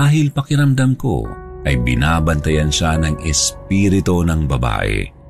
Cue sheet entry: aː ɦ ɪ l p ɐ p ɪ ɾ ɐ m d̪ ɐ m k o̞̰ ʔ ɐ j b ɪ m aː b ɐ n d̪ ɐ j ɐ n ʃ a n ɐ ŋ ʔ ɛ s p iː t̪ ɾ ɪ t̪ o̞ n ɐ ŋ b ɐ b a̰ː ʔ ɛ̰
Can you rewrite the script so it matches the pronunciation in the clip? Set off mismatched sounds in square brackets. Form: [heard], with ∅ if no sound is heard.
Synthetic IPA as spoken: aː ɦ ɪ l p ɐ [k] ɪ ɾ ɐ m d̪ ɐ m k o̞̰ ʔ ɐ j b ɪ [n] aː b ɐ n [t̪] ɐ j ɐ n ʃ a n ɐ ŋ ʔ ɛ s p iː [∅] ɾ ɪ t̪ o̞ n ɐ ŋ b ɐ b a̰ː ʔ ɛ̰